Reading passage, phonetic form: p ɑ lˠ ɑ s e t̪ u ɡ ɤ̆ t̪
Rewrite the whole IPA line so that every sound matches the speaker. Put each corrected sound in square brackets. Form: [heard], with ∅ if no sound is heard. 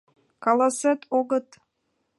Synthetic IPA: [k] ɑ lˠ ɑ s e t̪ [o] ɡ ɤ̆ t̪